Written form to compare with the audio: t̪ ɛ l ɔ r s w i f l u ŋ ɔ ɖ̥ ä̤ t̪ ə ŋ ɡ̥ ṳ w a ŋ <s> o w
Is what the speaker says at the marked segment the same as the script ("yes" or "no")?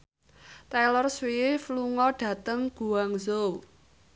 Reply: no